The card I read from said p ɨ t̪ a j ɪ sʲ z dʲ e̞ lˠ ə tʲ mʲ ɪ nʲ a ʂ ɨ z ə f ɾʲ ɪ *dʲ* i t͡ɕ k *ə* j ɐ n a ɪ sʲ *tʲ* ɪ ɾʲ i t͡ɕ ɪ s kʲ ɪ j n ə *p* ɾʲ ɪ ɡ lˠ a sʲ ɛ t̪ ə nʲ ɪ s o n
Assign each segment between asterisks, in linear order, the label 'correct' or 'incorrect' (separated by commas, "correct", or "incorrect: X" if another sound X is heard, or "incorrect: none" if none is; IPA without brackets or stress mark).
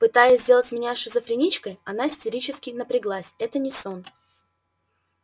incorrect: nʲ, correct, correct, correct